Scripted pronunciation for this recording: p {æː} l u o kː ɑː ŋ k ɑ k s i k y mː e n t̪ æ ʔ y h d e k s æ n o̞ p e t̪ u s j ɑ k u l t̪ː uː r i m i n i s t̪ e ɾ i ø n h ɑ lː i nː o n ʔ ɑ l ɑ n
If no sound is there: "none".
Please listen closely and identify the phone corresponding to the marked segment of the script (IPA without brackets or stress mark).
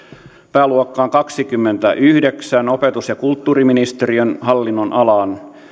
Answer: æː